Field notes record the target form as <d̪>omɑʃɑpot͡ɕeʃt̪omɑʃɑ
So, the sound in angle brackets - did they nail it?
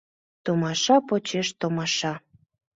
no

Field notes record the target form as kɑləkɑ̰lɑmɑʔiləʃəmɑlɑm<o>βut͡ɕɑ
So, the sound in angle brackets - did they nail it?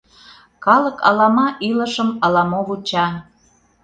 yes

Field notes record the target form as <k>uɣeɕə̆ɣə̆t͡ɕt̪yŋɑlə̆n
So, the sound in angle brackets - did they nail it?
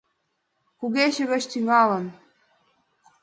yes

